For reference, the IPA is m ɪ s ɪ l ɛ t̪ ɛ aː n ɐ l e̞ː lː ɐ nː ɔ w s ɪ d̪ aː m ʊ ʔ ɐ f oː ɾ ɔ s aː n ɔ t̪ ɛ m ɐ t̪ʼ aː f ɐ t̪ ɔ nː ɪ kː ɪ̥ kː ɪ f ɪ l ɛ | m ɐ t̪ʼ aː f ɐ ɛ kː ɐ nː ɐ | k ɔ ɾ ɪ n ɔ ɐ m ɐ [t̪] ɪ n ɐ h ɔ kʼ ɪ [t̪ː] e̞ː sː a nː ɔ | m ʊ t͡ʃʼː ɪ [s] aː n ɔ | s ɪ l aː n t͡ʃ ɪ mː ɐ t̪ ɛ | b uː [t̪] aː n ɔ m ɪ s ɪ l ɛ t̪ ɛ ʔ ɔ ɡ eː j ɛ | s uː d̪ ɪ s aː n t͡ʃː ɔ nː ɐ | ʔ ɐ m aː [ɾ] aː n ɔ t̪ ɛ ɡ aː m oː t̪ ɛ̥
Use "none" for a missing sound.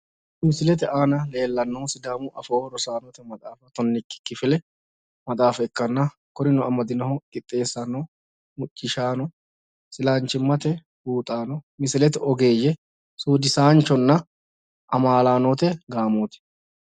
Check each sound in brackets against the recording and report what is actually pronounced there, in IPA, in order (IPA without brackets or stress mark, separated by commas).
d̪, t̪ʼː, ʃ, t̪ʼ, l